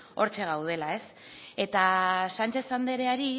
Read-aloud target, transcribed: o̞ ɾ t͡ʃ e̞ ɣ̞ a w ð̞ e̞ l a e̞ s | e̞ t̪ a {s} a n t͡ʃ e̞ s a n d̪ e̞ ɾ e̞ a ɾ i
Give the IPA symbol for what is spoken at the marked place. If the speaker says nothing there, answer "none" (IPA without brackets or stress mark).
s